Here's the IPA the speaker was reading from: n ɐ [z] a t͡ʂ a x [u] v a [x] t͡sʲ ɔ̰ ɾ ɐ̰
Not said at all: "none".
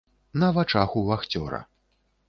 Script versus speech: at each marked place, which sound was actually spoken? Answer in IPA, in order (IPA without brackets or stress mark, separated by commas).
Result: v, u, x